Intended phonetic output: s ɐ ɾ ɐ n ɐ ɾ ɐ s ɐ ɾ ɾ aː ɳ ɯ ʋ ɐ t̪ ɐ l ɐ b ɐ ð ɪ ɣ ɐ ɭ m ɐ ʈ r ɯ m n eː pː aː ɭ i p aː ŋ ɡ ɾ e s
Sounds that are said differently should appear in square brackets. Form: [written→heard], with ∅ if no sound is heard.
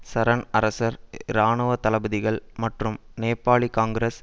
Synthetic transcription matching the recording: s ɐ ɾ ɐ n ɐ ɾ ɐ s ɐ ɾ ɾ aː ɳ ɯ ʋ ɐ t̪ ɐ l ɐ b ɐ ð ɪ ɣ ɐ ɭ m ɐ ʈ r ɯ m n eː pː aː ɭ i [p→k] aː ŋ ɡ ɾ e s